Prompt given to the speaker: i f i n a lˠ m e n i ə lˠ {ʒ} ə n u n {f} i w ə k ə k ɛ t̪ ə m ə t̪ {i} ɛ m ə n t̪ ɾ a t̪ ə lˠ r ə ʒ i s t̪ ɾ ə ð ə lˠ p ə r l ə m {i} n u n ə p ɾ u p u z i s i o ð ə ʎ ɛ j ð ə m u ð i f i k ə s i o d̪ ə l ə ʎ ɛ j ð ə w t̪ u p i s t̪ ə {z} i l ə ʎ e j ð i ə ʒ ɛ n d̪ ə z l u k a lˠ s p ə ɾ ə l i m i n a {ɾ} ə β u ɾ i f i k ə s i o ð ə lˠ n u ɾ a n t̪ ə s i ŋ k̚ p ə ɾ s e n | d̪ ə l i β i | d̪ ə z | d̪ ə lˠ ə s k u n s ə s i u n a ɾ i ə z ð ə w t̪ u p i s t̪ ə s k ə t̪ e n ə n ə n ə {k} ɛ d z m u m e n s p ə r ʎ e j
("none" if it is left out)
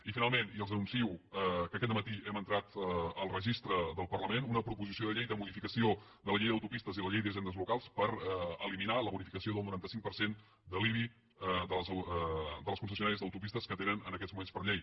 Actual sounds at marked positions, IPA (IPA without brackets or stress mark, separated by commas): z, s, i, e, z, l, k